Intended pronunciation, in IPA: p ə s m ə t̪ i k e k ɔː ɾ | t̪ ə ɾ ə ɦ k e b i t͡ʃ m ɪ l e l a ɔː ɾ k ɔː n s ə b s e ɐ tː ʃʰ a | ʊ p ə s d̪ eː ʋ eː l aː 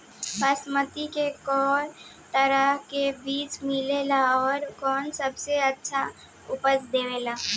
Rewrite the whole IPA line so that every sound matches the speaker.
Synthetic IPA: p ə s m ə t̪ i k e k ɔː ɾ | t̪ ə ɾ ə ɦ k e b iː t͡ʃ m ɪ l e l a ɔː ɾ k ɔː n s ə b s e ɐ tː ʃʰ a | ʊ p ə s d̪ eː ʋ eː l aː